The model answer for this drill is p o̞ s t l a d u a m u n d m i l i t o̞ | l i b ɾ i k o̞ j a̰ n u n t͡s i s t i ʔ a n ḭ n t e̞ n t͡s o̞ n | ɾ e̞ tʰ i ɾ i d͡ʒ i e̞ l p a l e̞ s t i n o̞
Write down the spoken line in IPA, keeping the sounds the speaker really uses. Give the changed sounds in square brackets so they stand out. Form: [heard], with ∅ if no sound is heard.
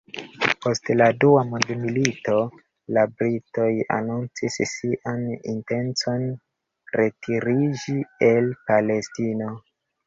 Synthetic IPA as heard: p o̞ s t l a d u a m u n d m i l i t o̞ | l [a] b ɾ i [t] o̞ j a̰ n u n t͡s i s [s] i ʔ a n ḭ n t e̞ n t͡s o̞ n | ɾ e̞ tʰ i ɾ i d͡ʒ i e̞ l p a l e̞ s t i n o̞